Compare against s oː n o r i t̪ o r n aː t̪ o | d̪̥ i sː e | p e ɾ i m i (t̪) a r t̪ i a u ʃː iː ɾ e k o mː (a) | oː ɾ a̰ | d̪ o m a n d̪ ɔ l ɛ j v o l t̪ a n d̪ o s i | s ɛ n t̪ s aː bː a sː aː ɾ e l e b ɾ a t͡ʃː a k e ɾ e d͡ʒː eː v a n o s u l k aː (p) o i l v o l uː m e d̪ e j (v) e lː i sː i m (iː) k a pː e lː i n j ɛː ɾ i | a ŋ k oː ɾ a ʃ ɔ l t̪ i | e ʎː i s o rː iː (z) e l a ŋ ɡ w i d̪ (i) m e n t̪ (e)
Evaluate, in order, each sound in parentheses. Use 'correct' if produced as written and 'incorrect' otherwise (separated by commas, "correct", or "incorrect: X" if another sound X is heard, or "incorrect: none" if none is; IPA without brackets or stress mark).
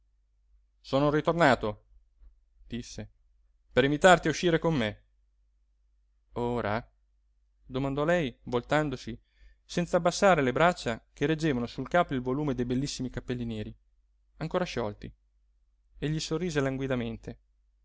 correct, incorrect: e, correct, incorrect: b, incorrect: i, correct, incorrect: a, correct